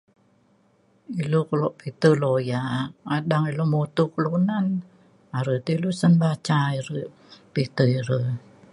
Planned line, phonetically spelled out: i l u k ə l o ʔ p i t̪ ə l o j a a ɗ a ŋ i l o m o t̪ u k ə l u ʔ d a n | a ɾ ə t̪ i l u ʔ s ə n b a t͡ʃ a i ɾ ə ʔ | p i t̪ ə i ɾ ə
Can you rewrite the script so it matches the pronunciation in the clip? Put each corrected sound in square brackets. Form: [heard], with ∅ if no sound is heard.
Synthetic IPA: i l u k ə l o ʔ p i t̪ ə l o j a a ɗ a ŋ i l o m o t̪ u k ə l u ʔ [n] a n | a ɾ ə t̪ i l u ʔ s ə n b a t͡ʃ a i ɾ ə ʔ | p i t̪ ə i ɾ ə